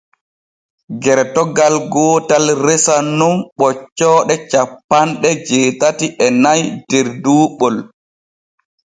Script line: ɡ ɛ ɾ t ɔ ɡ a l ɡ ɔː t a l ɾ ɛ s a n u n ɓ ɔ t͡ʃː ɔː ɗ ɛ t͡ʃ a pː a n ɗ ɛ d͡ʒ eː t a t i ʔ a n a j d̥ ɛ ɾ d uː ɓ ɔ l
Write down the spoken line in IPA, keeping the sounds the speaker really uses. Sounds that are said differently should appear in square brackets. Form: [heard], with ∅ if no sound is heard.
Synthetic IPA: ɡ ɛ ɾ t ɔ ɡ a l ɡ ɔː t a l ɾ ɛ s a n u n ɓ ɔ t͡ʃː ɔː ɗ ɛ t͡ʃ a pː a n ɗ ɛ d͡ʒ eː t a t i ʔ [ɛ] n a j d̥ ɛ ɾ d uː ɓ ɔ l